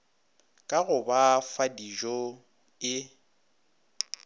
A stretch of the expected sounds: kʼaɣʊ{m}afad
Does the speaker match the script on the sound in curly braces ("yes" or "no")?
no